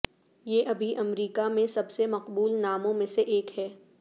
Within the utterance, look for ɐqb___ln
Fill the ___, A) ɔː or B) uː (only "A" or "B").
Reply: B